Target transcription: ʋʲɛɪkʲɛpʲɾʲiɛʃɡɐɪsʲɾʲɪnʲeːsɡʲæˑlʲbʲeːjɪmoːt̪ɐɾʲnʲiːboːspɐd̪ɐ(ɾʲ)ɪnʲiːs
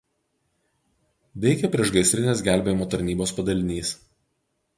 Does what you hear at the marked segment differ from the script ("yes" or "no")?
yes